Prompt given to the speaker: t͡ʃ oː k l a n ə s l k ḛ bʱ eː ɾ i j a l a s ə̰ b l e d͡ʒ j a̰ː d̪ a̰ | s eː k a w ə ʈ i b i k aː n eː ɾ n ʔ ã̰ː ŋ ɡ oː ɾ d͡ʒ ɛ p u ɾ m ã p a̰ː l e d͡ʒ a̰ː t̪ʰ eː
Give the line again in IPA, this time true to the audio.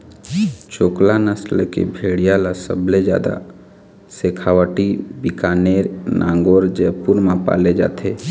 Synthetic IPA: t͡ʃ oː k l a n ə s l k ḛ bʱ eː ɽ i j a l a s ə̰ b l e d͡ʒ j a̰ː d̪ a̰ | s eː kʰ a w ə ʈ i b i k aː n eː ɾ n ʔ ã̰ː ŋ ɡ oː ɾ d͡ʒ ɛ p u ɾ m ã p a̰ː l e d͡ʒ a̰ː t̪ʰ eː

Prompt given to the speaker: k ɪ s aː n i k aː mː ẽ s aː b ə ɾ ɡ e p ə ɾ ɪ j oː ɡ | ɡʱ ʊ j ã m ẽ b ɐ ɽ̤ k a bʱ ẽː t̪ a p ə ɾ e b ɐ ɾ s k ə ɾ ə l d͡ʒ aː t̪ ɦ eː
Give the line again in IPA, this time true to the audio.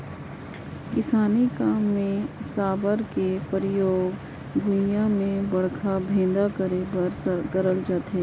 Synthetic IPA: k ɪ s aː n i k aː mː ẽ s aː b ə ɾ k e p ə ɾ ɪ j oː ɡ | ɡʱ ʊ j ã m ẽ b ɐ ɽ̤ kʰ a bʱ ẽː d̪ a k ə ɾ e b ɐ ɾ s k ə ɾ ə l d͡ʒ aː t̪ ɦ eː

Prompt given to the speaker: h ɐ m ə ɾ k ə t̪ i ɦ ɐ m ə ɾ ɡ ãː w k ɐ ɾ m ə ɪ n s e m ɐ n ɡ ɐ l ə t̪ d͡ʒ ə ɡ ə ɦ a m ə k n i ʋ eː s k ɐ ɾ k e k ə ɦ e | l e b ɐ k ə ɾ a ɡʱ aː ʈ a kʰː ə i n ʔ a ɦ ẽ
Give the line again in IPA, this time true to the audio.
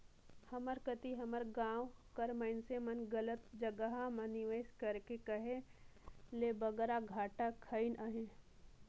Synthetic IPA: h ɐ m ə ɾ k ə t̪ i ɦ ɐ m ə ɾ ɡ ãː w k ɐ ɾ m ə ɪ n s e m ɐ n ɡ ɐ l ə t̪ d͡ʒ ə ɡ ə ɦ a m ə n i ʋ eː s k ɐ ɾ k e k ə ɦ e | l e b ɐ ɡ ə ɾ a ɡʱ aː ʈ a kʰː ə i n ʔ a ɦ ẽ

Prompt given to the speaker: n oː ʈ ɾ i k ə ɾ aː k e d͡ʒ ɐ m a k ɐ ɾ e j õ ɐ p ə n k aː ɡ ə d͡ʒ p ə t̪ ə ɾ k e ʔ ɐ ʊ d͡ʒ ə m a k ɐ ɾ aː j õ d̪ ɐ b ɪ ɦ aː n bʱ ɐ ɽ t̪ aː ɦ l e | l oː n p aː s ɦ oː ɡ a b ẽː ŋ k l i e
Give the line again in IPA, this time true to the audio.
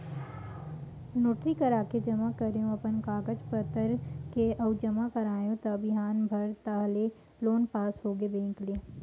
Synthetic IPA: n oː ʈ ɾ i k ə ɾ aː k e d͡ʒ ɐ m a k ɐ ɾ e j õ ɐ p ə n k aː ɡ ə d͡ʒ p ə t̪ ə ɾ k e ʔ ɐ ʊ d͡ʒ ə m a k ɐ ɾ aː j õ t̪ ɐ b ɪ ɦ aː n bʱ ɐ ɾ t̪ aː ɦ l e | l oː n p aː s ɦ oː ɡ e b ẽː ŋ k l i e

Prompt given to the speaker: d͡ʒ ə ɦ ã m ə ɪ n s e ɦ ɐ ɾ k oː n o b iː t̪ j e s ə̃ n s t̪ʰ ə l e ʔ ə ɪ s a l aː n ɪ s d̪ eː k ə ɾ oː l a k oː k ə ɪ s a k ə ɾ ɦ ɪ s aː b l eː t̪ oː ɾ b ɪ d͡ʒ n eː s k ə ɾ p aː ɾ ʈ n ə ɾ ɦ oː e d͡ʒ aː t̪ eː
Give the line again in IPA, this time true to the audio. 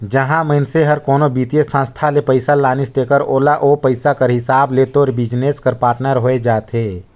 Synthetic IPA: d͡ʒ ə ɦ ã m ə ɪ n s e ɦ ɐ ɾ k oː n o b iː t̪ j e s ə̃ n s t̪ʰ a l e p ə ɪ s a l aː n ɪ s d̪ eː k ə ɾ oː l a ʔ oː p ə ɪ s a k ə ɾ ɦ ɪ s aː b l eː t̪ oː ɾ b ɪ d͡ʒ n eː s k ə ɾ p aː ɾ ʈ n ə ɾ ɦ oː e d͡ʒ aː t̪ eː

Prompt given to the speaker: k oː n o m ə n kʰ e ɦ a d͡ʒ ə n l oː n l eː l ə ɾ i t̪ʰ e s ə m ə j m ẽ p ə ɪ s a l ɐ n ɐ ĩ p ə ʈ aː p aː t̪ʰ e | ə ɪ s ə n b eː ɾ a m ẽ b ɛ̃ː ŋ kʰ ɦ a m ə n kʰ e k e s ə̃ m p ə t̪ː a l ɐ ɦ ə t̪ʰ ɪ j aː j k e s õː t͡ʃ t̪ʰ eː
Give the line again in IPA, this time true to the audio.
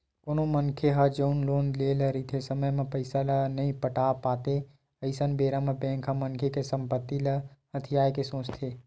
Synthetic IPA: k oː n o m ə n kʰ e ɦ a d͡ʒ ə n l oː n l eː l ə ɾ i t̪ʰ e s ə m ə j m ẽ p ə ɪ s a l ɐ n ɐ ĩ p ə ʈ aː p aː t̪ e | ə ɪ s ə n b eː ɾ a m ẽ b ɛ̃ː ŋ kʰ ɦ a m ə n kʰ e k e s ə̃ m p ə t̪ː i l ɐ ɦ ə t̪ʰ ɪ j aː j k e s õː t͡ʃ t̪ʰ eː

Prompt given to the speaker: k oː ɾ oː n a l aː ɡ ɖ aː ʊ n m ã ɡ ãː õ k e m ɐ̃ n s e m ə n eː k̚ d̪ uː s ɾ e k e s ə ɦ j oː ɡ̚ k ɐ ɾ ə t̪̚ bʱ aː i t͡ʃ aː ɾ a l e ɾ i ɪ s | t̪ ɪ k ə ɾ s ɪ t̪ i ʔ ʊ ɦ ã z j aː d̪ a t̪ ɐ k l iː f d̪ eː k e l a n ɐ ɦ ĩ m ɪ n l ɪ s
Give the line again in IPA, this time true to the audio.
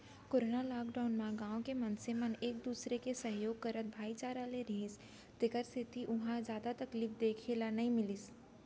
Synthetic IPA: k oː ɾ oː n a l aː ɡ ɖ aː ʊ n m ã ɡ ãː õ k e m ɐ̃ n s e m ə n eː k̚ d̪ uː s ɾ e k e s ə ɦ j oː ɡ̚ k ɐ ɾ ə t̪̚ bʱ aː i t͡ʃ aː ɾ a l e ɾ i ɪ s | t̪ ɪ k ə ɾ s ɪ t̪ i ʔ ʊ ɦ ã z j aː d̪ a t̪ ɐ k l iː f d̪ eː kʰ e l a n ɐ ɦ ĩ m ɪ l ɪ s

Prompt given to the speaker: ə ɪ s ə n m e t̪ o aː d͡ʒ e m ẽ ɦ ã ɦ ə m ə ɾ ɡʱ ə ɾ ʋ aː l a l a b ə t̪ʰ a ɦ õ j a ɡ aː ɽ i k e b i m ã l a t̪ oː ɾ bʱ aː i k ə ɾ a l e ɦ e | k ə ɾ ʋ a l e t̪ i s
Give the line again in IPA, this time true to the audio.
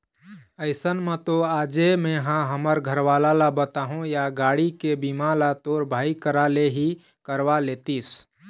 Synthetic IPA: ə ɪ s ə n m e t̪ o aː d͡ʒ e m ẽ ɦ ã ɦ ə m ə ɾ ɡʱ ə ɾ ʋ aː l a l a b ə t̪ a ɦ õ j a ɡ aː ɽ i k e b i m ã l a t̪ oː ɾ bʱ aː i k ə ɾ a l e ɦ i | k ə ɾ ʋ a l e t̪ i s

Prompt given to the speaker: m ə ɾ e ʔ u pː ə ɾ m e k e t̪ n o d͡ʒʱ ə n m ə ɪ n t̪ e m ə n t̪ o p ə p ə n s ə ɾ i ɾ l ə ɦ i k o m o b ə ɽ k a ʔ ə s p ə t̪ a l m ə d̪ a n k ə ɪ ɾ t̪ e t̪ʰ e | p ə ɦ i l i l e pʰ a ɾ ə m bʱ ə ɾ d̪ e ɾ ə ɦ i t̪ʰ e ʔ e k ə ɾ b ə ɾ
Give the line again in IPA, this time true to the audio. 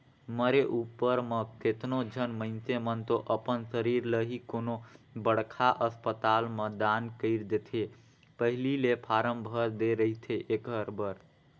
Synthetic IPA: m ə ɾ e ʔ u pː ə ɾ m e k e t̪ n o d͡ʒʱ ə n m ə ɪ n t̪ e m ə n t̪ o ʔ ə p ə n s ə ɾ i ɾ l ə ɦ i k o n o b ə ɽ kʰ a ʔ ə s p ə t̪ a l m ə d̪ a n k ə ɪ ɾ d̪ e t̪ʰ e | p ə ɦ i l i l e pʰ a ɾ ə m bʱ ə ɾ d̪ e ɾ ə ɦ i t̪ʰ e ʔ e k ə ɾ b ə ɾ

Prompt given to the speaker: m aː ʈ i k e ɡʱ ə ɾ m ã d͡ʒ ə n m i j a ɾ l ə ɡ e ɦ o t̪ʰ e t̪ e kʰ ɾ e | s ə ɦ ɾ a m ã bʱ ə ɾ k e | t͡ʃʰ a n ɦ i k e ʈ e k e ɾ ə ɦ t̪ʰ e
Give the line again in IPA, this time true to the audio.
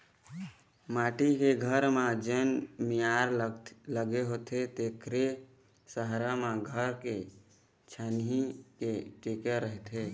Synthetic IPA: m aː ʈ i k e ɡʱ ə ɾ m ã d͡ʒ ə n m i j a ɾ l ə ɡ e ɦ o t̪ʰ e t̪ e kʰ ɾ e | s ə ɦ ɾ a m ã ɡʱ ə ɾ k e | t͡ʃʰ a n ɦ i k e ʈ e k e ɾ ə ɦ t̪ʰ e

